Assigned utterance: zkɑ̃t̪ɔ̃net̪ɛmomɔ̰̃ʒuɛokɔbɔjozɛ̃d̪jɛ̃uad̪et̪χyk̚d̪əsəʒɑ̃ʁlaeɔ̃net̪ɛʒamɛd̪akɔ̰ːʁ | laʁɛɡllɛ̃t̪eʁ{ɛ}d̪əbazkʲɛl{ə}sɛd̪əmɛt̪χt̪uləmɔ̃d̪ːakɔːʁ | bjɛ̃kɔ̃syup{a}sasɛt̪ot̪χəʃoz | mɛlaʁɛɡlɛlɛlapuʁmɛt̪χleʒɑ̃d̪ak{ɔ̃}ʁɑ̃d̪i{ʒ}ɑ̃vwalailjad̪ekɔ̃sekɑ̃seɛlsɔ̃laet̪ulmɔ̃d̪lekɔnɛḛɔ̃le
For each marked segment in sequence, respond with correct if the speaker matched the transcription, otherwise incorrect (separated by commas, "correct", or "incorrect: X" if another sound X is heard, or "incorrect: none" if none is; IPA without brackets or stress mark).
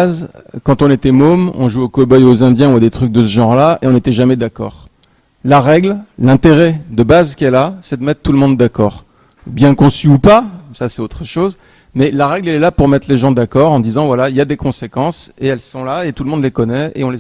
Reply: correct, incorrect: a, correct, incorrect: ɔ, incorrect: z